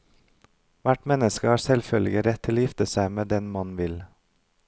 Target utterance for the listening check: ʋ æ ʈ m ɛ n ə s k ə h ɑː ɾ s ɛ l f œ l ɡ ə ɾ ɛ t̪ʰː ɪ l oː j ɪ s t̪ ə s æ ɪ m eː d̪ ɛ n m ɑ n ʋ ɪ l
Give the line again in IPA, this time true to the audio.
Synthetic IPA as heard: ʋ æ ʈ m ɛ n ə s k ə h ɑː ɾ s ɛ l f œ l ɡ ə ɾ ɛ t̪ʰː ɪ l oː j ɪ f t̪ ə s æ ɪ m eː d̪ ɛ n m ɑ n ʋ ɪ l